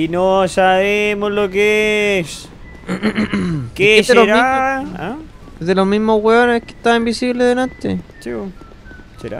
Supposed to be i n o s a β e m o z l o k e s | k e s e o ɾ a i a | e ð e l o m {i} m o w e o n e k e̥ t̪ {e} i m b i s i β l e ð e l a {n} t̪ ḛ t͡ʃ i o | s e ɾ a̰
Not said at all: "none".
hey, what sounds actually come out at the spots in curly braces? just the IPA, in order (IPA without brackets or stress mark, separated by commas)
i, a, n